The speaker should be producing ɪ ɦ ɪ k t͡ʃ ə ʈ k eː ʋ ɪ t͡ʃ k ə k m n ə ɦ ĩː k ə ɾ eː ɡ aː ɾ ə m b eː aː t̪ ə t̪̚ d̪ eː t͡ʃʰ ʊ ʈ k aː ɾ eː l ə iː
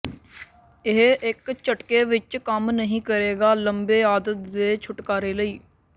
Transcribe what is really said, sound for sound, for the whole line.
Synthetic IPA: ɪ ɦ ɪ k t͡ʃ ə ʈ k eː ʋ ɪ t͡ʃ k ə m n ə ɦ ĩː k ə ɾ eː ɡ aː l ə m b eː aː d̪ ə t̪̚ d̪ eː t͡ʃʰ ʊ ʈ k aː ɾ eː l ə iː